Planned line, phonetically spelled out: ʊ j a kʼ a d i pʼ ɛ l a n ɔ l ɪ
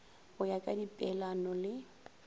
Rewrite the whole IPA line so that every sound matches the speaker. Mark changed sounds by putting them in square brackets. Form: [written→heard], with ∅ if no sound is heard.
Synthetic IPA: ʊ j a kʼ a d i pʼ ɛ l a n ɔ l ɪ